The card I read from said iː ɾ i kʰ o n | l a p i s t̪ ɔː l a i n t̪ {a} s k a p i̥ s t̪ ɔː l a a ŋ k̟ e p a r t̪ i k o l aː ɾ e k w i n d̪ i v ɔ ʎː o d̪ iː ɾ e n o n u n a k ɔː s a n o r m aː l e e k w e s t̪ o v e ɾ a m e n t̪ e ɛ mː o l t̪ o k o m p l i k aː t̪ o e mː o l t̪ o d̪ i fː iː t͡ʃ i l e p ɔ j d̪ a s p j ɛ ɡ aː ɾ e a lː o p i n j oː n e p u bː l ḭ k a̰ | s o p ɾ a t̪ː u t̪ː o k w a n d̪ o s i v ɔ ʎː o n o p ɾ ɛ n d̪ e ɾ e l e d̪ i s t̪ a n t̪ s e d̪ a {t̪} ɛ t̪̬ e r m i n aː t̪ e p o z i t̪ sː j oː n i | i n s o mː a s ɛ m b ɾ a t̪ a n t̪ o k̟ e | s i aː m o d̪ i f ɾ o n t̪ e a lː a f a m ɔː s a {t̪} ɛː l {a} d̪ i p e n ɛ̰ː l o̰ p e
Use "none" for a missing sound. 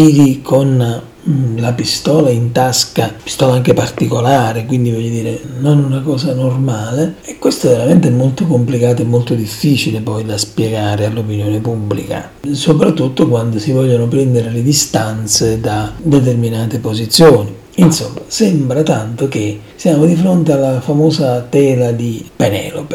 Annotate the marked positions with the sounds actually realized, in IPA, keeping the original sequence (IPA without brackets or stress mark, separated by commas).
a, d̪, t̪, a